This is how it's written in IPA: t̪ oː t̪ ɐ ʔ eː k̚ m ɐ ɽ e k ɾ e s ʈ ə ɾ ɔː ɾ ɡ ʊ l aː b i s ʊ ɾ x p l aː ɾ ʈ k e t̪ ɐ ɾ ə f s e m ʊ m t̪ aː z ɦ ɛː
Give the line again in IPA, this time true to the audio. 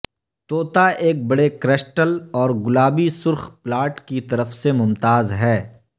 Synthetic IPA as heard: t̪ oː t̪ a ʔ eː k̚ b ɐ ɽ e k ɾ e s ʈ ə l ɔː ɾ ɡ ʊ l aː b i s ʊ ɾ x p l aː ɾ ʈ k i t̪ ɐ ɾ ə f s e m ʊ m t̪ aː z ɦ ɛː